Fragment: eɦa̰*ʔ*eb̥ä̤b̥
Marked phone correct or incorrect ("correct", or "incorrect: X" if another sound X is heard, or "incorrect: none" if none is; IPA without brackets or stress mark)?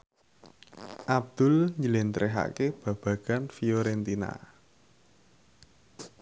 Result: incorrect: k